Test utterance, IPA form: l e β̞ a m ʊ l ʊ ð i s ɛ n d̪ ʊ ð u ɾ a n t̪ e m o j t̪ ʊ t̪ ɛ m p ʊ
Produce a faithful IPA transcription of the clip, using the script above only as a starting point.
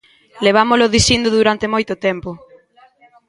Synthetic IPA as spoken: l e β̞ a m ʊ l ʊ ð i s i n d̪ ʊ ð u ɾ a n t̪ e m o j t̪ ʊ t̪ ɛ m p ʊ